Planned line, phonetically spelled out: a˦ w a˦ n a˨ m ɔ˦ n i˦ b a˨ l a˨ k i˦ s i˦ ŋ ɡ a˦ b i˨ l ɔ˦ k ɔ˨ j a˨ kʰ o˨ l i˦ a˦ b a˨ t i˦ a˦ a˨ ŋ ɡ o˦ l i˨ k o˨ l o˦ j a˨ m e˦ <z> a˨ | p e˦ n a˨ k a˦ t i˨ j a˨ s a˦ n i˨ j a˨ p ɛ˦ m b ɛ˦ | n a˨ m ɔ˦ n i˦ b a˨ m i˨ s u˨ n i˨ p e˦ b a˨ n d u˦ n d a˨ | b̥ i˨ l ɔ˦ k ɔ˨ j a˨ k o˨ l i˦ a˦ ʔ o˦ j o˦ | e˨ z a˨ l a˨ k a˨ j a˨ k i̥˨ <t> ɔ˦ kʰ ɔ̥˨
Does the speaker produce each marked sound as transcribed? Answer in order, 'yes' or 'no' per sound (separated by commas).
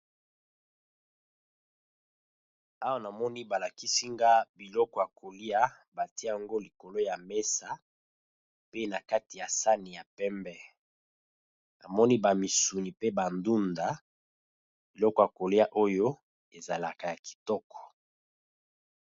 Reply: no, yes